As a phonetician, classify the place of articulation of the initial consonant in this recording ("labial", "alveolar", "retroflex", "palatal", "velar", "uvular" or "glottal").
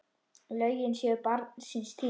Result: alveolar